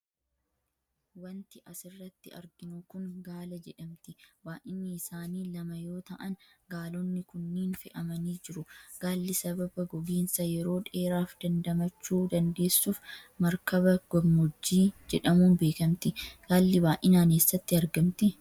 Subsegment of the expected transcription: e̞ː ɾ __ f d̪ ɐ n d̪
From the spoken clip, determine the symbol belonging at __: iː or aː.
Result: aː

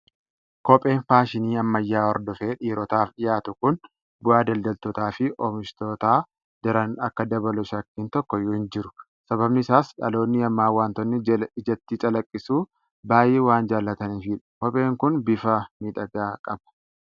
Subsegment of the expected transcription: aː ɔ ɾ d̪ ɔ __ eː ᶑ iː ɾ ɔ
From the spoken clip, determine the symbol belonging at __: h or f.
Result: f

